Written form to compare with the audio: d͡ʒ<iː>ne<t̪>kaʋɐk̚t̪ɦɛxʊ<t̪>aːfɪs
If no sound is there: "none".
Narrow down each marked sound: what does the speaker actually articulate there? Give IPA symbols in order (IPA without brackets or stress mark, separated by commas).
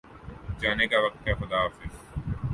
aː, none, d̪